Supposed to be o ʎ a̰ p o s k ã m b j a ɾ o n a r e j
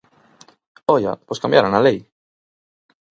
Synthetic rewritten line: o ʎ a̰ p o s k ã m b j a ɾ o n a l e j